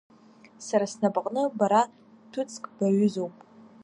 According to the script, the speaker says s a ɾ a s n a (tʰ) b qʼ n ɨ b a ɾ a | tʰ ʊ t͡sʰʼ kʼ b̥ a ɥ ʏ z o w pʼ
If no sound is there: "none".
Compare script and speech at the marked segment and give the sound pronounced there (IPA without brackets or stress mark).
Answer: none